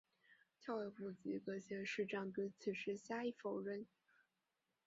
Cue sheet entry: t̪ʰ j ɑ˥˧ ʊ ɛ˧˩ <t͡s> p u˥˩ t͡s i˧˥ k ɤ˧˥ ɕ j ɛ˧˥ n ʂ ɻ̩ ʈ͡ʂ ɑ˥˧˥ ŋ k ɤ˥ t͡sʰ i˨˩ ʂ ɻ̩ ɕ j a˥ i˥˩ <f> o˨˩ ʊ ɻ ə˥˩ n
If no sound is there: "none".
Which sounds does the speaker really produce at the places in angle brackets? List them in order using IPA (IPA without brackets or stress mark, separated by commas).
none, f